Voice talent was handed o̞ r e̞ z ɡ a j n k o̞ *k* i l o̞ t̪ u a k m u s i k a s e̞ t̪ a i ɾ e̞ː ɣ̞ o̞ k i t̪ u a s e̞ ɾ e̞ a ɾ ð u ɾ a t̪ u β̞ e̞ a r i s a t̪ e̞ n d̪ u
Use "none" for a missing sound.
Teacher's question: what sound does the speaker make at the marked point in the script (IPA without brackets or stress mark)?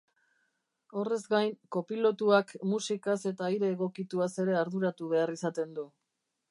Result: p